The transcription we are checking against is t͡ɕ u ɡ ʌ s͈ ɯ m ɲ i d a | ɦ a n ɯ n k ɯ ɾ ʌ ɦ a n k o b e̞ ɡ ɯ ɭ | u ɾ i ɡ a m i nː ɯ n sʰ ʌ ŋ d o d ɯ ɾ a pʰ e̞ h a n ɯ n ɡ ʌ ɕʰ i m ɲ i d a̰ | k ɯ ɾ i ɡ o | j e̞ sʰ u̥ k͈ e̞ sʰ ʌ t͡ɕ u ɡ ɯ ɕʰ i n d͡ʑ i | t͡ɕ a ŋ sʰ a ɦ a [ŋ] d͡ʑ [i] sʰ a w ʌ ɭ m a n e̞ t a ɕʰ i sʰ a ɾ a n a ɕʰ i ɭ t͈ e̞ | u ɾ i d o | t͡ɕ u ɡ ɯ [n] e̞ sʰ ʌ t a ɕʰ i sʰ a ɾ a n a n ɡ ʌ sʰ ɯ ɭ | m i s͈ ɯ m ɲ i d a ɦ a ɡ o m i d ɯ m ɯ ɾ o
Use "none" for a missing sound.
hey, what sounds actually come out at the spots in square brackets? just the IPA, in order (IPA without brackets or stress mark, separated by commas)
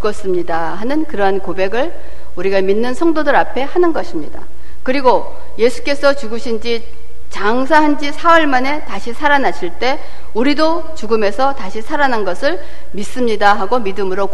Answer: n, i, m